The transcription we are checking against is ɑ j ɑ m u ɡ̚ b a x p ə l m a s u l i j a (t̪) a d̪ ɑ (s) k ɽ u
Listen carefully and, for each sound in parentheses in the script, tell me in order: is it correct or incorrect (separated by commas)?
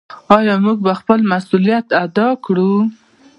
correct, incorrect